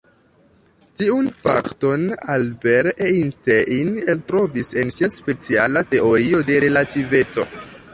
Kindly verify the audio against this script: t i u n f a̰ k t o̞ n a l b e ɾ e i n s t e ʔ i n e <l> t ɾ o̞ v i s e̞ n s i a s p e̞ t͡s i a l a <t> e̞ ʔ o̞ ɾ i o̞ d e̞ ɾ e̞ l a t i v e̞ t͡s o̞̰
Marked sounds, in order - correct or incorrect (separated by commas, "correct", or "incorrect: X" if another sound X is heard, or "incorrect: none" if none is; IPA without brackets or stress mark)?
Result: correct, correct